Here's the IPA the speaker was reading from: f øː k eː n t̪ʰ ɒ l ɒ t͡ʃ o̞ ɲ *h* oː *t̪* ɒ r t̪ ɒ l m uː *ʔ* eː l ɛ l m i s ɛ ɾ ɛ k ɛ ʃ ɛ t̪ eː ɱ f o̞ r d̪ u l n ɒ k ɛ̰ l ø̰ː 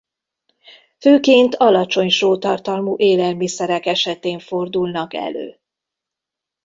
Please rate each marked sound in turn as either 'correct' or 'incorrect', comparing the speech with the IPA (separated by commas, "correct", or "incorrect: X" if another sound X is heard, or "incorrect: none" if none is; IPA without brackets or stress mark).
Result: incorrect: ʃ, correct, correct